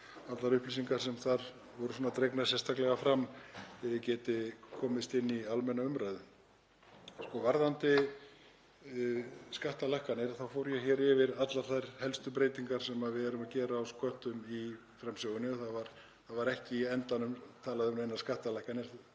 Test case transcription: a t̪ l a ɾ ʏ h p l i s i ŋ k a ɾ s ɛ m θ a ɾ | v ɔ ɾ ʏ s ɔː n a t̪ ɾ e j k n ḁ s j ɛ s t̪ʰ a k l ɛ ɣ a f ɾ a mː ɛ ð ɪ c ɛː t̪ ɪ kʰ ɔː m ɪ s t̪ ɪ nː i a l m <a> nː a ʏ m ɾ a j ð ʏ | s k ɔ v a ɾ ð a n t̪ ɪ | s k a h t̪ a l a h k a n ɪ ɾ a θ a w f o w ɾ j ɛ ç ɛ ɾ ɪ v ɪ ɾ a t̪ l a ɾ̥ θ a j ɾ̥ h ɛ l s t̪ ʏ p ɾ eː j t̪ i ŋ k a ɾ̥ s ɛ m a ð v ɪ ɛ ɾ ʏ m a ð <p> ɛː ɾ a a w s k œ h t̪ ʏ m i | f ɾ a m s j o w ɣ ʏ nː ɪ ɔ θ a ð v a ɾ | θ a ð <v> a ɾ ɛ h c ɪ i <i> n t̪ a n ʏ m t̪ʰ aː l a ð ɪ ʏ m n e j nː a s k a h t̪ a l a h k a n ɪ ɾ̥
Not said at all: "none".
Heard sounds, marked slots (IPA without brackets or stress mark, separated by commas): ɛ, c, v, ɛ